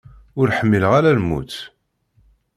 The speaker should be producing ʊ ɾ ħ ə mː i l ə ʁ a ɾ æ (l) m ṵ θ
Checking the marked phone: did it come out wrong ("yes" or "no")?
no